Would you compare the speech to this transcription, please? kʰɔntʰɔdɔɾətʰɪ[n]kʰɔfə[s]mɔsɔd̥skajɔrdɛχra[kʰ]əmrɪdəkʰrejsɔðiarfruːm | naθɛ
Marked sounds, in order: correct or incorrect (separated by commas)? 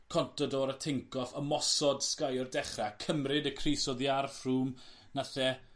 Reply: incorrect, incorrect, correct